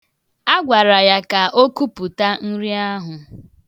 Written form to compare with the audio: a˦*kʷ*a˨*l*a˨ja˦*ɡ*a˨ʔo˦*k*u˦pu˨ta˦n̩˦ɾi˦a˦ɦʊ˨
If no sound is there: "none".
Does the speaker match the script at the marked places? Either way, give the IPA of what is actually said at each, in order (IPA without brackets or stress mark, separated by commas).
ɡʷ, ɾ, k, k